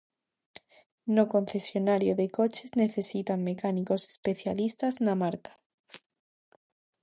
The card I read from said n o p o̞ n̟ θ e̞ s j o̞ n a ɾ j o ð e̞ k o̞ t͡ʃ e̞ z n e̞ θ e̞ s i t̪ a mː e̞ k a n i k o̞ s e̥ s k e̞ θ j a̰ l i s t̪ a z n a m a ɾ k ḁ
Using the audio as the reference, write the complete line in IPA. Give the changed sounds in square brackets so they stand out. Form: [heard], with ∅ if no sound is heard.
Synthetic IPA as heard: n o [k] o̞ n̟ θ e̞ s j o̞ n a ɾ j o ð e̞ k o̞ t͡ʃ e̞ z n e̞ θ e̞ s i t̪ a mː e̞ k a n i k o̞ s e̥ s [p] e̞ θ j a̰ l i s t̪ a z n a m a ɾ k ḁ